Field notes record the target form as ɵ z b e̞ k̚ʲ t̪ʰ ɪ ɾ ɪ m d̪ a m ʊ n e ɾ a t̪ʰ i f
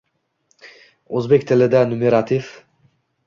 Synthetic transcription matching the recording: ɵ z b e̞ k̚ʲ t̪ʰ ɪ l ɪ d̪ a n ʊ m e ɾ a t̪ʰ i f